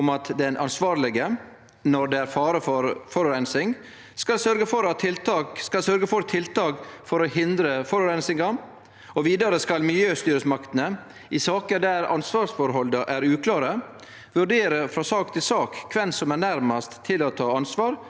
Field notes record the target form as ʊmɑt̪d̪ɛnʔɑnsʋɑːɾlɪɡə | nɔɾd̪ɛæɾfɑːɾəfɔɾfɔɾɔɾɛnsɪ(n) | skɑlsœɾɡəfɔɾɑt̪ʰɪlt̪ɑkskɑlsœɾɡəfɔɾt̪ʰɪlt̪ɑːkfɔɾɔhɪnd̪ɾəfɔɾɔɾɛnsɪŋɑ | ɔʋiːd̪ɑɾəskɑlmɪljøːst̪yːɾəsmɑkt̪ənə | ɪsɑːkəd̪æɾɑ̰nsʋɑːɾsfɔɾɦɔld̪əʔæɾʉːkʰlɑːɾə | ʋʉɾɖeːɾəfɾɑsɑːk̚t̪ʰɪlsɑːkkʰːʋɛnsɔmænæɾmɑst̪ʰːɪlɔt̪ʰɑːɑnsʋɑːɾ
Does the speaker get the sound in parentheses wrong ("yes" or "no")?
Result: yes